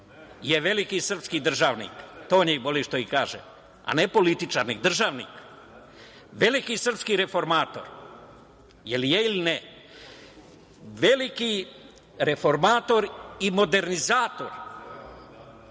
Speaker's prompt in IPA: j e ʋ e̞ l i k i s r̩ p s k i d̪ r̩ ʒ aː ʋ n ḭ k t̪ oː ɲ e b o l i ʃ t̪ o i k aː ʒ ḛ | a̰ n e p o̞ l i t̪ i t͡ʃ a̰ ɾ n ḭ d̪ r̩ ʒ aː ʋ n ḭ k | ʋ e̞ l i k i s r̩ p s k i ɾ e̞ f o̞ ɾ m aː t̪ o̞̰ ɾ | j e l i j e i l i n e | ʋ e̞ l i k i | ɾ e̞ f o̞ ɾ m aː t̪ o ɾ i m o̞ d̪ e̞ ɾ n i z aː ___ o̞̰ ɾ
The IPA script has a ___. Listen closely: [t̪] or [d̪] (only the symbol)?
t̪